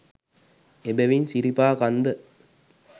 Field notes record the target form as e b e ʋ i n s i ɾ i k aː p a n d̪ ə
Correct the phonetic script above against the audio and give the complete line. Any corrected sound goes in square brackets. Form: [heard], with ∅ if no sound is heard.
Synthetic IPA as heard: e b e ʋ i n s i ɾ i [p] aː [k] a n d̪ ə